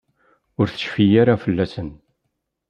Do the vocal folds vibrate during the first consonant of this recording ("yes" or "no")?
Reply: yes